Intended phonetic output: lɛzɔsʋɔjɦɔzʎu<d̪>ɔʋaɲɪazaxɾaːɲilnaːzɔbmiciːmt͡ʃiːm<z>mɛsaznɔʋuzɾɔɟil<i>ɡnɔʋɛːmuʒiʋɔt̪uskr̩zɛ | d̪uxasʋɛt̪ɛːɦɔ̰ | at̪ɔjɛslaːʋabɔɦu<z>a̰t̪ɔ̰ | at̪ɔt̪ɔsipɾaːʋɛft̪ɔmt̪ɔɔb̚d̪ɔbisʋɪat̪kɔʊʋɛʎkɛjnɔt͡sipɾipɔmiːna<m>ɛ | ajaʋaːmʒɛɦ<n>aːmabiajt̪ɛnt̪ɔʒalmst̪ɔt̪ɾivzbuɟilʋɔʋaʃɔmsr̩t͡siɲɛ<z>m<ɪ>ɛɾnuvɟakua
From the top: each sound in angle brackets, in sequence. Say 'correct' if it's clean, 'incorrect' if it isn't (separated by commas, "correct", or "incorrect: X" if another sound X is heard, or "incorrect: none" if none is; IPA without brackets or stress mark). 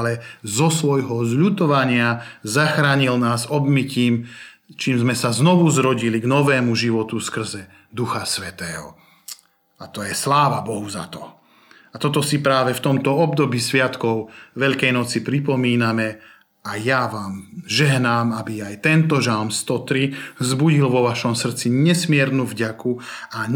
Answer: incorrect: t̪, correct, correct, correct, correct, correct, incorrect: s, correct